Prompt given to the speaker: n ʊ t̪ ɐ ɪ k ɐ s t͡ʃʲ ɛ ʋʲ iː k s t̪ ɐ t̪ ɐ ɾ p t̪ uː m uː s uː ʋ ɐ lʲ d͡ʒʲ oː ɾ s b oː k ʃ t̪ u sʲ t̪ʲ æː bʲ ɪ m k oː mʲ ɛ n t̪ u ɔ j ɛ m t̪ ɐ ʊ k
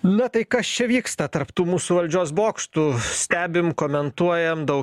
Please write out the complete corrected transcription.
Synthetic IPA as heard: n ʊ t̪ ɐ ɪ k ɐ s t͡ʃʲ ɛ ʋʲ iː k s t̪ ɐ t̪ ɐ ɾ p t̪ uː m uː s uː ʋ ɐ lʲ d͡ʒʲ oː s b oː k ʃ t̪ u sʲ t̪ʲ æː bʲ ɪ m k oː mʲ ɛ n t̪ u ɔ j ɛ m d̪ ɐ ʊ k